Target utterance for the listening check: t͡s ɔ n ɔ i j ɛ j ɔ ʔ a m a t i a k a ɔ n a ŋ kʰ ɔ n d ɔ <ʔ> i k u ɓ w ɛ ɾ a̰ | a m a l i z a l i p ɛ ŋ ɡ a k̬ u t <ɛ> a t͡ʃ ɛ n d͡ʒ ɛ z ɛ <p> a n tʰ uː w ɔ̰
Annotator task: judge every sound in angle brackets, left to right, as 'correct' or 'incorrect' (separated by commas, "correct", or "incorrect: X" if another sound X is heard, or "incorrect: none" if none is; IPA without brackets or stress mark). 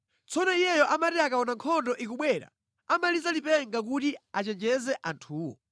correct, incorrect: i, incorrect: ʔ